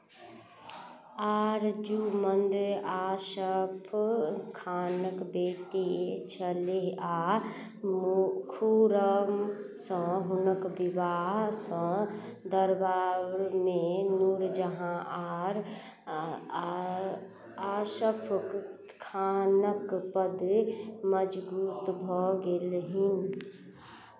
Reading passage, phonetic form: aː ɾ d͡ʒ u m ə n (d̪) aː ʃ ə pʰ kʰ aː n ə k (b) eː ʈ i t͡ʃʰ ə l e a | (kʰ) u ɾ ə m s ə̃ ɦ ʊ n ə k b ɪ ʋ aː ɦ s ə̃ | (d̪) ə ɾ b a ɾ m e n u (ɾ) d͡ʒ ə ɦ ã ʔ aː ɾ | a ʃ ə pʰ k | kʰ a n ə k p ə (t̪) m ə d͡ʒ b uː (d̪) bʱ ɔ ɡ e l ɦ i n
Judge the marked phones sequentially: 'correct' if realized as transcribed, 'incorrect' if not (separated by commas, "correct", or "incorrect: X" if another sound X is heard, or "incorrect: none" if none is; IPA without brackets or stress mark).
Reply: correct, correct, correct, correct, correct, incorrect: d̪, incorrect: t̪